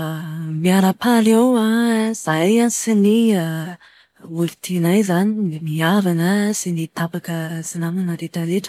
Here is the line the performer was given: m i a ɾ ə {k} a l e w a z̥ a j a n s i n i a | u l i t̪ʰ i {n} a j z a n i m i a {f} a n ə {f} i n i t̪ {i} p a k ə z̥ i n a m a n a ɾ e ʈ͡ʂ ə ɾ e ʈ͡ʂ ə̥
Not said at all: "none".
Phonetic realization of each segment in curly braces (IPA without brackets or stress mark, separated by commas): p, n, v, s, a